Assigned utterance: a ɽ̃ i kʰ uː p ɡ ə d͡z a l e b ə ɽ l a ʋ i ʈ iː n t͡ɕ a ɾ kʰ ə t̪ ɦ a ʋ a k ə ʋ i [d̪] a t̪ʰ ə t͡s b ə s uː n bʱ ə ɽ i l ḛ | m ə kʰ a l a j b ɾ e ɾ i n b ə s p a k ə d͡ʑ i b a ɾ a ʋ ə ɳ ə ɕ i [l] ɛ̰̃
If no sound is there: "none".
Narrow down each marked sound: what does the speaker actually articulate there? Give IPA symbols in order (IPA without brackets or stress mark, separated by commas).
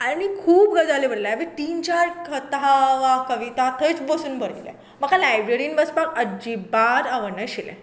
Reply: t̪, l